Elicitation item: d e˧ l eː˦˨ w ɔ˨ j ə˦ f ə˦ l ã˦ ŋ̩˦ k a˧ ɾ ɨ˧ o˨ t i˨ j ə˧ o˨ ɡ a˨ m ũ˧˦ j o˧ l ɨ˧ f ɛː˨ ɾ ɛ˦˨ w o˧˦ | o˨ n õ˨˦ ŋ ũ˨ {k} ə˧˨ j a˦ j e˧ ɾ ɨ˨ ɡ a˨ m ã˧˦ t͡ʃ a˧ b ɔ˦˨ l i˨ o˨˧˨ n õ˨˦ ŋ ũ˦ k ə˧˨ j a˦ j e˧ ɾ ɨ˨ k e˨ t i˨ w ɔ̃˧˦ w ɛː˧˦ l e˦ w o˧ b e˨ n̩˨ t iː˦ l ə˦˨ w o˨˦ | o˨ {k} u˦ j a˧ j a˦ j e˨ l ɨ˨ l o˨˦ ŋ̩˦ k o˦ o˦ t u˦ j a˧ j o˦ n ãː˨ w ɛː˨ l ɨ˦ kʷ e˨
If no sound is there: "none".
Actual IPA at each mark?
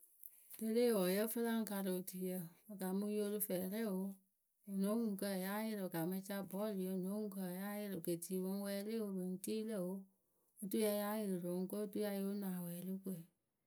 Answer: k, t

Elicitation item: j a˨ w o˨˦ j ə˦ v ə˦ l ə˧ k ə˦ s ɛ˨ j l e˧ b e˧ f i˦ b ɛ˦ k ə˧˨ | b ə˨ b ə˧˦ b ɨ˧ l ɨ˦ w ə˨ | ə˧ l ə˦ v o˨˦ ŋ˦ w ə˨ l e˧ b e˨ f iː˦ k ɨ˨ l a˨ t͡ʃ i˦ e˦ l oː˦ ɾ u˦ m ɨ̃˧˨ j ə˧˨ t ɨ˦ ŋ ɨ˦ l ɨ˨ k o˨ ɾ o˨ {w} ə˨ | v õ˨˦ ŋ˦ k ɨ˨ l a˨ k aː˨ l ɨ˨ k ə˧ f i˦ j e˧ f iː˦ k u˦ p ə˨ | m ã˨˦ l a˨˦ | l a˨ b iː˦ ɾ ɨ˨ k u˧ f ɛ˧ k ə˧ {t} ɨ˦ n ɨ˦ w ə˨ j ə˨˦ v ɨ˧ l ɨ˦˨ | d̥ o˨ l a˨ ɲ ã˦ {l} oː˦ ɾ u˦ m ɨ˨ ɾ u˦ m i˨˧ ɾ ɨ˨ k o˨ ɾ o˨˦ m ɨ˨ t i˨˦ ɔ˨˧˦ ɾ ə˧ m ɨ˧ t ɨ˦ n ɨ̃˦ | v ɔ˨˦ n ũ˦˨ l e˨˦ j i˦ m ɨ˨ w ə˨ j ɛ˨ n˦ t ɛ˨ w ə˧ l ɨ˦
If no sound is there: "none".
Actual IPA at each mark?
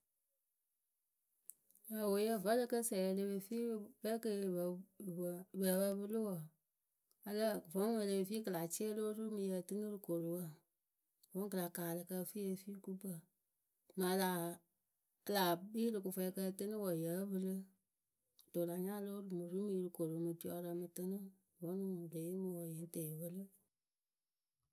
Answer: w, t, l

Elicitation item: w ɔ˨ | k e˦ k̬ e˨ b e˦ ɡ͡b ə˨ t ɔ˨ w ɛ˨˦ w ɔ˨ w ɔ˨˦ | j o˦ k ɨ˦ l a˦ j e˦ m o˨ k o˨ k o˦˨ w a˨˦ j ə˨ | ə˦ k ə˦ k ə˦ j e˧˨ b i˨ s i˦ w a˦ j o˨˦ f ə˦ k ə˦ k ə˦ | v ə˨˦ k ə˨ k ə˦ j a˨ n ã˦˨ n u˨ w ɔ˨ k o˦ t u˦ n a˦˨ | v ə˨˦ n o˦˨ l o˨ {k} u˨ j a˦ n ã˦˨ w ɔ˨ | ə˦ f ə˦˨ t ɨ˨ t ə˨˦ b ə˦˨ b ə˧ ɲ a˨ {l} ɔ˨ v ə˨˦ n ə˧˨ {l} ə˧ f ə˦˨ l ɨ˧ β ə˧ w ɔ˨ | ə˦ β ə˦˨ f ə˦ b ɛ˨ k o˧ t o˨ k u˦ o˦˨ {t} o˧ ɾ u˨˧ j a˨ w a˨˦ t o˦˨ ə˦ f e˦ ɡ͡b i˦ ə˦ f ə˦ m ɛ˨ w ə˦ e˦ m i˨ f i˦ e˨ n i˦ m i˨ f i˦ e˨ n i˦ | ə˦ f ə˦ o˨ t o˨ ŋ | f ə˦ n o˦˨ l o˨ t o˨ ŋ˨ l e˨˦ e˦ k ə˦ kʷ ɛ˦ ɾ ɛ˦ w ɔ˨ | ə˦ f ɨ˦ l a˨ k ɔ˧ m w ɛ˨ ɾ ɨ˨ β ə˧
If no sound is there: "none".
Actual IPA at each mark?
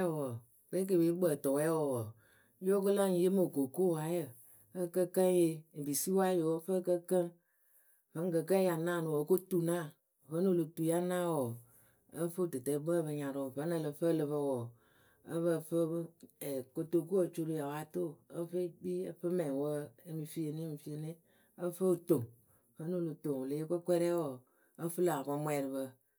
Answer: t, ɾ, l, t͡ʃ

